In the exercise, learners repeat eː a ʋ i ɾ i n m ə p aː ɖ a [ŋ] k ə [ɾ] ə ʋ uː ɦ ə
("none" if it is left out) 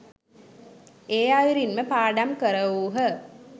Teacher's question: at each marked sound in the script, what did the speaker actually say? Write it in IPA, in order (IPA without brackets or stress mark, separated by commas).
m, ɾ